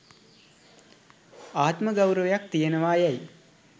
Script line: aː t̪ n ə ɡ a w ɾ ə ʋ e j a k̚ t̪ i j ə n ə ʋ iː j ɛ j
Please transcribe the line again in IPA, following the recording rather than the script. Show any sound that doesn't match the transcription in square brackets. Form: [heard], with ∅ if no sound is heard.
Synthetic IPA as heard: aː t̪ [m] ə ɡ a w ɾ ə ʋ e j a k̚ t̪ i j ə n ə ʋ [aː] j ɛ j